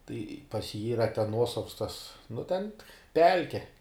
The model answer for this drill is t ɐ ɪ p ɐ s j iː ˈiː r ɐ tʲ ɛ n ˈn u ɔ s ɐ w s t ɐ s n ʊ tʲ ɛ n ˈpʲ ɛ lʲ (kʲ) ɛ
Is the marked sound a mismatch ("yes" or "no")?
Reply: no